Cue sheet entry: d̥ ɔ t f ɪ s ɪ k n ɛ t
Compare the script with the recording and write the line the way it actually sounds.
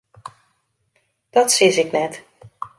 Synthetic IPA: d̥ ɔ t s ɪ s ɪ k n ɛ t